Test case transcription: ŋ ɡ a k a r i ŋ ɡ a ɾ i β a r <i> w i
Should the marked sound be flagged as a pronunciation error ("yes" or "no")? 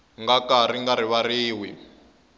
yes